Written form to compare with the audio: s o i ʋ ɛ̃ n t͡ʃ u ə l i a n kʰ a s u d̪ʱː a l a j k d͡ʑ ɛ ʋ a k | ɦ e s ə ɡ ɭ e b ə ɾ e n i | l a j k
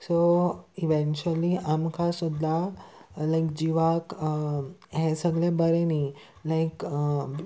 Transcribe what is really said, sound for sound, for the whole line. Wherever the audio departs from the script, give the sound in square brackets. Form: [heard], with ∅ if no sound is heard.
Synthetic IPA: s o i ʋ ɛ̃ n t͡ʃ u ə l i a [m] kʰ a s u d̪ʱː a l a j k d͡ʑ [i] ʋ a k | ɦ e s ə ɡ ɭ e b ə ɾ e n i | l a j k